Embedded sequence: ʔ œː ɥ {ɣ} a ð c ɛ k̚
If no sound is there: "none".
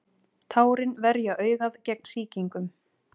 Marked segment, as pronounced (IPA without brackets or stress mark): ɣ